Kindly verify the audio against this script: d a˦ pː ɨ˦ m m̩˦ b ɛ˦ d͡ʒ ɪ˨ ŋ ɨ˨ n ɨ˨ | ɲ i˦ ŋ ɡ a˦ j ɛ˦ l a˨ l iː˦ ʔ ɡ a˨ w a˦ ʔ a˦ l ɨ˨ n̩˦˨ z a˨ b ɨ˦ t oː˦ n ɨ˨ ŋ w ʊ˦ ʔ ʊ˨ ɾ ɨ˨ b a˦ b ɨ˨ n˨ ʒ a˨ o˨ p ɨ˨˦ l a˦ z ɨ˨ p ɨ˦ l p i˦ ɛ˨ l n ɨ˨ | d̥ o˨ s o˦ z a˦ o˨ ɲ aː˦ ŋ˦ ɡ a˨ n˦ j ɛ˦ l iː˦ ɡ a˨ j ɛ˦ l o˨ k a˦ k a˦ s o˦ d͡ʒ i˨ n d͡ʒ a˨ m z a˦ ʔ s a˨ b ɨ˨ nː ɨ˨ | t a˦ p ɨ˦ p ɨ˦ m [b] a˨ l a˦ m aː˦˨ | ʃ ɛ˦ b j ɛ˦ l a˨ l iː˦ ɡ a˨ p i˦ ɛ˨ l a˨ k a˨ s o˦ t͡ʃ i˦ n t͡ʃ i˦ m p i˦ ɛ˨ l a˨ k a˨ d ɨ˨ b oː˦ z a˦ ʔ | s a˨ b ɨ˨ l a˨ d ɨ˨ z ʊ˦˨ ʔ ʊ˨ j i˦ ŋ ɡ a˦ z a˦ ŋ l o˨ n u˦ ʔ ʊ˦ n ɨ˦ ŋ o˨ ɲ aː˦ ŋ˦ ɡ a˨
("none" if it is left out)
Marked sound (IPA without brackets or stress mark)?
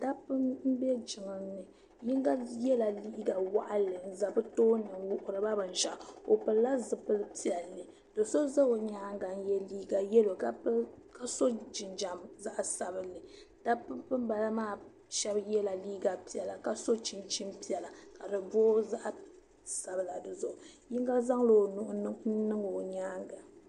b